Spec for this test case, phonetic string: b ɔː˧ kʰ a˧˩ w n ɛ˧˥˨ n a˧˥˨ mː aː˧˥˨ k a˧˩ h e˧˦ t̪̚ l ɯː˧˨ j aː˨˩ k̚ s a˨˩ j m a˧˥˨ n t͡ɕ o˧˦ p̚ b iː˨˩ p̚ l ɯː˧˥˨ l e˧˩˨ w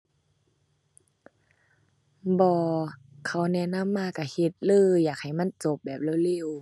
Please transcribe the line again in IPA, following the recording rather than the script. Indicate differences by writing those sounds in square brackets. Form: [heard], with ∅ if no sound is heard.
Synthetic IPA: b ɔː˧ kʰ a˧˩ w n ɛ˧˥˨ n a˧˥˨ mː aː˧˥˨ k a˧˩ h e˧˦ t̪̚ l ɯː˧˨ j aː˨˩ k̚ [h] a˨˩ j m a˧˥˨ n t͡ɕ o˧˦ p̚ b [ɛː˨˩] p̚ l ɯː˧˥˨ l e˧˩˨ w